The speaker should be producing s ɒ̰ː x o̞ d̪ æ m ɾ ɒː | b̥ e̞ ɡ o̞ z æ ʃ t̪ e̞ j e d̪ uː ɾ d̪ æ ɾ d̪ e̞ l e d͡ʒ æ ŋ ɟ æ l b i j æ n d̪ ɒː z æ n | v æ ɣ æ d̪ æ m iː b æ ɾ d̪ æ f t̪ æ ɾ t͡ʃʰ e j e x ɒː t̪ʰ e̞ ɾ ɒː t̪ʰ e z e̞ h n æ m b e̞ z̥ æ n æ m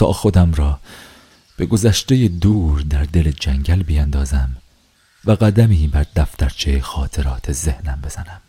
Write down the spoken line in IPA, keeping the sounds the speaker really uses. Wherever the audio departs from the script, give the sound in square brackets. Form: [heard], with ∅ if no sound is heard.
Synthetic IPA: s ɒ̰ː x o̞ d̪ æ m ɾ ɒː | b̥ e̞ ɡ o̞ z æ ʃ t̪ e̞ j e d̪ uː ɾ d̪ æ ɾ d̪ e̞ l e d͡ʒ æ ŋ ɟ æ l b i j æ n d̪ ɒː z æ [m] | v æ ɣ æ d̪ æ m iː b æ ɾ d̪ æ f t̪ æ ɾ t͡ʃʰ e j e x ɒː t̪ʰ e̞ ɾ ɒː t̪ʰ e z e̞ h n æ m b e̞ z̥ æ n æ m